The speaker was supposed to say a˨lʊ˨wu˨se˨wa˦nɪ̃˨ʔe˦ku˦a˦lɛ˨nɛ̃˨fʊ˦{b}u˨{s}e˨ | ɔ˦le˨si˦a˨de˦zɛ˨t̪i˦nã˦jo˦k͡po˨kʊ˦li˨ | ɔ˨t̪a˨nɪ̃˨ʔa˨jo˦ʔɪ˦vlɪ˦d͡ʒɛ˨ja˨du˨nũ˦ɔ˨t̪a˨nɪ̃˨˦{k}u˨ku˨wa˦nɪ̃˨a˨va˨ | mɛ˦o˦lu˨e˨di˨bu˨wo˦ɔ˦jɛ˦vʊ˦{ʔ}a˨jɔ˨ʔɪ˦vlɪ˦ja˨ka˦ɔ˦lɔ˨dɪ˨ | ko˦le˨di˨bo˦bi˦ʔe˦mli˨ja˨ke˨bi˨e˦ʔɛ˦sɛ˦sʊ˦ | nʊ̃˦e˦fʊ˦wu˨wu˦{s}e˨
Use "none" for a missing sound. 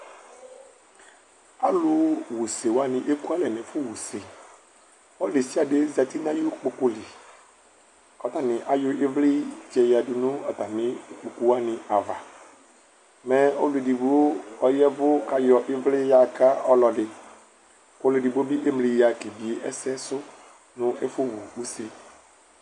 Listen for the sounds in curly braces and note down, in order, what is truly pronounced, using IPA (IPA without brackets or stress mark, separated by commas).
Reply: w, s, k͡p, k, s